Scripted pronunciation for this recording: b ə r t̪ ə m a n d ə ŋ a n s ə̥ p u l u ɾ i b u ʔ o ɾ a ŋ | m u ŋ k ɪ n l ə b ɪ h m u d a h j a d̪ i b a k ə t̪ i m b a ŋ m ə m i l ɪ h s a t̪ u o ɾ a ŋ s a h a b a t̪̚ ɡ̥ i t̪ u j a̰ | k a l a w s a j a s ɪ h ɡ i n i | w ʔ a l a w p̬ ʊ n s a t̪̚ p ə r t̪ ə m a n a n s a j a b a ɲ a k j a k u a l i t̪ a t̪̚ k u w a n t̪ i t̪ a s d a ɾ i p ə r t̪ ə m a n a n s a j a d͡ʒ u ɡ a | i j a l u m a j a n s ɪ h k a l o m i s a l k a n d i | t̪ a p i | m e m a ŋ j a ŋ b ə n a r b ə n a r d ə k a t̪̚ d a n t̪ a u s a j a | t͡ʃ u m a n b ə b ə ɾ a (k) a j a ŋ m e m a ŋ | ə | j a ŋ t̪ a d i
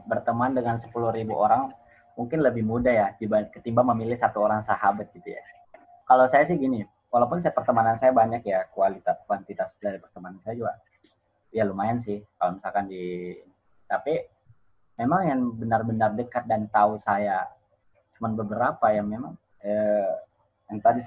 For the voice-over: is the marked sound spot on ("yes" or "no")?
no